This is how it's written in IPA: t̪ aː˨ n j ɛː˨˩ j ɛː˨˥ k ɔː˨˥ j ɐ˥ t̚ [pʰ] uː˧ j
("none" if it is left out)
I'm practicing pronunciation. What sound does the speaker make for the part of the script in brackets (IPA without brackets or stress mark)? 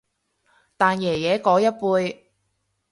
p